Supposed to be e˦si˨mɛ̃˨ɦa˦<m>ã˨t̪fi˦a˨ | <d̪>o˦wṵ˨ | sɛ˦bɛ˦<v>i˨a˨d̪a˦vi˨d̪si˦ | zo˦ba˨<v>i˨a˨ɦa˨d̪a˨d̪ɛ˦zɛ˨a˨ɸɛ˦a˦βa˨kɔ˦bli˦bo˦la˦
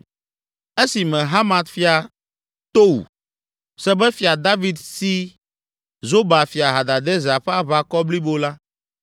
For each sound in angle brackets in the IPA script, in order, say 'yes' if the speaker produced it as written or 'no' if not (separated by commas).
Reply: yes, no, no, no